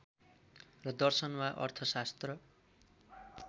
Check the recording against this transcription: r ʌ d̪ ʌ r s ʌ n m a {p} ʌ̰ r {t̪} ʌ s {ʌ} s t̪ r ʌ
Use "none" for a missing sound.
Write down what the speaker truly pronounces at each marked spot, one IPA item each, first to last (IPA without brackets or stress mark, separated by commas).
ʔ, t̪ʰ, a